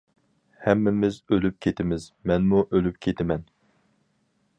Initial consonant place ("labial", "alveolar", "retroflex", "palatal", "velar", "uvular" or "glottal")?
glottal